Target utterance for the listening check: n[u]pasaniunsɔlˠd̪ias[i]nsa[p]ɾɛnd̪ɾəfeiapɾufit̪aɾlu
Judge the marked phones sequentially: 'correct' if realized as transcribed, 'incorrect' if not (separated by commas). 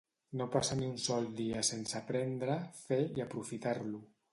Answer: incorrect, incorrect, correct